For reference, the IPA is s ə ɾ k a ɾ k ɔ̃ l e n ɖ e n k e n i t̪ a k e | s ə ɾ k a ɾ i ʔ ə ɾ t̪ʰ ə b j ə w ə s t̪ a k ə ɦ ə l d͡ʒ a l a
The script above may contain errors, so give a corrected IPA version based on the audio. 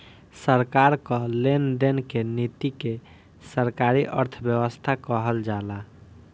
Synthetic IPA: s ə ɾ k a ɾ k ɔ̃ l e n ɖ e n k e n i t̪ i k e | s ə ɾ k a ɾ i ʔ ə ɾ t̪ʰ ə b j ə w ə s t̪ʰ a k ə ɦ ə l d͡ʒ a l a